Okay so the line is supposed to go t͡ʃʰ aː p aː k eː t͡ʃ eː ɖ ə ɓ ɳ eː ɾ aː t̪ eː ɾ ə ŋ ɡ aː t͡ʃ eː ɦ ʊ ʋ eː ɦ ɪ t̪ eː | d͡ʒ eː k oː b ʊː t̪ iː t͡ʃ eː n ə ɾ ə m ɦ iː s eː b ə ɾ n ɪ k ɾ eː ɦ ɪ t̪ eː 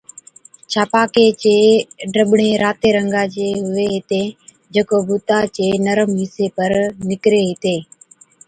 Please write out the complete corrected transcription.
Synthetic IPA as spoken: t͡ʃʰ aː p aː k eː t͡ʃ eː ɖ ə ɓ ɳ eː ɾ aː t̪ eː ɾ ə ŋ ɡ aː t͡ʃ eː ɦ ʊ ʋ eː ɦ ɪ t̪ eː | d͡ʒ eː k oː b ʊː t̪ aː t͡ʃ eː n ə ɾ ə m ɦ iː s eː p ə ɾ n ɪ k ɾ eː ɦ ɪ t̪ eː